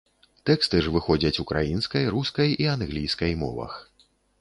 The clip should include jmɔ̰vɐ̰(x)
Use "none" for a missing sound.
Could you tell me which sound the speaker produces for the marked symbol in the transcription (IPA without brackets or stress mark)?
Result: x